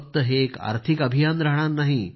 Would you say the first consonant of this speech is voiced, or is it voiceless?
voiceless